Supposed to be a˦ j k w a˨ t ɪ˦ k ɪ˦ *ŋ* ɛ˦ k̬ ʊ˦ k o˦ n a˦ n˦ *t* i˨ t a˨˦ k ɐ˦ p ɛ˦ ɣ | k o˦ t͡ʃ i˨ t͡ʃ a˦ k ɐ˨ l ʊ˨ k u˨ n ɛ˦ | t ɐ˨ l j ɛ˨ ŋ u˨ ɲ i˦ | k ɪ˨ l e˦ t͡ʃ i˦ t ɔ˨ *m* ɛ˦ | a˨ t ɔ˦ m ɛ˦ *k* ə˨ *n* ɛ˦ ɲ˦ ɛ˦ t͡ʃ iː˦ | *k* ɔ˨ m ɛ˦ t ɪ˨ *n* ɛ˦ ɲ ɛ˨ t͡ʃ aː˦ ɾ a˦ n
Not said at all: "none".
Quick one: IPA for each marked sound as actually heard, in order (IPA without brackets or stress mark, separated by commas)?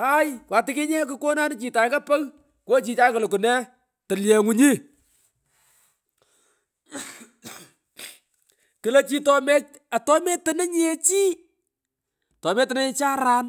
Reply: ɲ, t͡ʃ, m, t, n, t, n